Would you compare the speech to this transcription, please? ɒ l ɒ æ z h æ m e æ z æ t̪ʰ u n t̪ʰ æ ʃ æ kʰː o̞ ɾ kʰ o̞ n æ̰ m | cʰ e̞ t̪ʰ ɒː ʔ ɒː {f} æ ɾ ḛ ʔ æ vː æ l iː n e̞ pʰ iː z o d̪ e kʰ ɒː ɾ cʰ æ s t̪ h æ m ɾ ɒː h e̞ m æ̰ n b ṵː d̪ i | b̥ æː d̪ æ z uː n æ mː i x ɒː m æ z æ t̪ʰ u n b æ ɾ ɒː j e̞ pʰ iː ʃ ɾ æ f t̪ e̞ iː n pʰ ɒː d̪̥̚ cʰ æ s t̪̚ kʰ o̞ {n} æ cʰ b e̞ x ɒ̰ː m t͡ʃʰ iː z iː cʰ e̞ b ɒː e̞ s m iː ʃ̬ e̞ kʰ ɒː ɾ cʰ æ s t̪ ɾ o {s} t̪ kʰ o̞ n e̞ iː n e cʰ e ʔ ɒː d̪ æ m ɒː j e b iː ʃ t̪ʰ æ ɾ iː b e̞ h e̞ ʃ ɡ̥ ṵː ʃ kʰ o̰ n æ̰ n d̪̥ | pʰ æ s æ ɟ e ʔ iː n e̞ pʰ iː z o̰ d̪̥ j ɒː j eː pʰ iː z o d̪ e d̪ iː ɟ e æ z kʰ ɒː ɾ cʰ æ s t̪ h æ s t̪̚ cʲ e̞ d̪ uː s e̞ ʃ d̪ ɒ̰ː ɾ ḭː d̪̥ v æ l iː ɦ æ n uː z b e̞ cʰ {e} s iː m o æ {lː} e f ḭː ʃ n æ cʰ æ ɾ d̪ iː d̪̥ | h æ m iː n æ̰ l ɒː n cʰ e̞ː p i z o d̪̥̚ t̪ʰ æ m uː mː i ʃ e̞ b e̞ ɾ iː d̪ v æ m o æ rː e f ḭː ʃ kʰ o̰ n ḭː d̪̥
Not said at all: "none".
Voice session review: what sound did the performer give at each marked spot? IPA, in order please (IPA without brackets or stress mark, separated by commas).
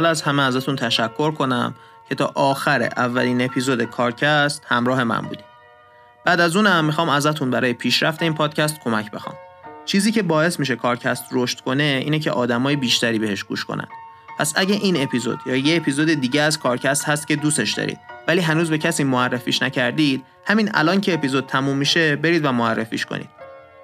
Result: x, m, ʃ, æ, rː